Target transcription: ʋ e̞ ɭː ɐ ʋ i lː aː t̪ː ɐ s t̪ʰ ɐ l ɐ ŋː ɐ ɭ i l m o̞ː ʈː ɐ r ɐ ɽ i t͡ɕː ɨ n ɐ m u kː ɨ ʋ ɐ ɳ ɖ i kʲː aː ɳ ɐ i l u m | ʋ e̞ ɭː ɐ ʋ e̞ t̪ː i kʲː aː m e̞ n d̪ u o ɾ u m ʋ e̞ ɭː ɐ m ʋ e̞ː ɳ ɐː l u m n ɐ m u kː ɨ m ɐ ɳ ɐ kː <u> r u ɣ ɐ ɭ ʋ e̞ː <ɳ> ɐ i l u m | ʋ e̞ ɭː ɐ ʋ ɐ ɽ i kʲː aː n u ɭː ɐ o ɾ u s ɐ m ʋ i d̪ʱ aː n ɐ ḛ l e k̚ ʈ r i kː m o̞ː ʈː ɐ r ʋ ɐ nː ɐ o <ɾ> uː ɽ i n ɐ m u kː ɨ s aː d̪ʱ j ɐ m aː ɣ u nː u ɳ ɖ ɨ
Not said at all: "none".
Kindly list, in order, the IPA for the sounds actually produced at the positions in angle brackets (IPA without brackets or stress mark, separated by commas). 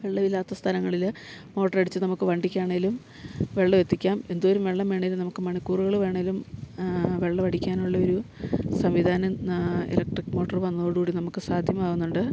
uː, ɳ, ɽ